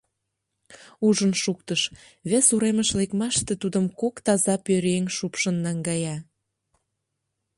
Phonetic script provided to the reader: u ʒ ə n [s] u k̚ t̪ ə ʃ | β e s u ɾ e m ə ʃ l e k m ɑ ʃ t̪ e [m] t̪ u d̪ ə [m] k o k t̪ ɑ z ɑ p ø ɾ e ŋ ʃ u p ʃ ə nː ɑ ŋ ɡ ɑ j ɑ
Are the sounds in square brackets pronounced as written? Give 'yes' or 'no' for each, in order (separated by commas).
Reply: no, no, yes